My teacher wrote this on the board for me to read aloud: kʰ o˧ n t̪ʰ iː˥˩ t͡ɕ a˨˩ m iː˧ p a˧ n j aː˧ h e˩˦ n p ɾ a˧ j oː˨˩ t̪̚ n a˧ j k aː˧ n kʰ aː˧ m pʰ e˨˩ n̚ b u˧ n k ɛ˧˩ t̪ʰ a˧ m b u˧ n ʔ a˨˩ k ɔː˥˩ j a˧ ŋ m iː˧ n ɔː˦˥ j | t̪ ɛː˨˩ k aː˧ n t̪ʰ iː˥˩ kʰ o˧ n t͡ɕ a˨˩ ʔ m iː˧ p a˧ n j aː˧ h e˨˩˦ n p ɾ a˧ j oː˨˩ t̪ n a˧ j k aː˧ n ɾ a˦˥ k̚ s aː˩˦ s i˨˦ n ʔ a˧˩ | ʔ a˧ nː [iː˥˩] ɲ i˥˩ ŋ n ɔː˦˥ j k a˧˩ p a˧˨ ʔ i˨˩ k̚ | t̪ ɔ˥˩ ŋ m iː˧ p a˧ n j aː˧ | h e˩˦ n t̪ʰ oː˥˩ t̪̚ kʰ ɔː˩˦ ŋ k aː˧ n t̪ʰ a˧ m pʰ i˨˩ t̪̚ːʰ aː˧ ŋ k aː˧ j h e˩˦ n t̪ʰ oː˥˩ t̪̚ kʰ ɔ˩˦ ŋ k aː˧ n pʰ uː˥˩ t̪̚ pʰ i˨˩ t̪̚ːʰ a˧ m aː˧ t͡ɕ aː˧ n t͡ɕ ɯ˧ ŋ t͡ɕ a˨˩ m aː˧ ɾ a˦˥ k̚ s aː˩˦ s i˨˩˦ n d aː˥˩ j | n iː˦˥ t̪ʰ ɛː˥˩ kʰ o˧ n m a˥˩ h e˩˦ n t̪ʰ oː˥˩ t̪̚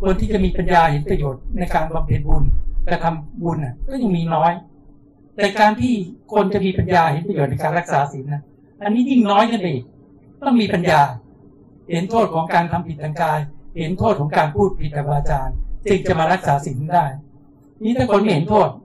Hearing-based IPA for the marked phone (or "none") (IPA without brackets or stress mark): iː˦˥